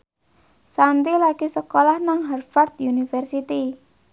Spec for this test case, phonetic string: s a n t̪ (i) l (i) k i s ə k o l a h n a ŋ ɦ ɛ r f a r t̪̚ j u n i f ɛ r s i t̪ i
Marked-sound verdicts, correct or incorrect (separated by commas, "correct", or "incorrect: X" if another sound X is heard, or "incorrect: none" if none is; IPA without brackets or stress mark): correct, incorrect: a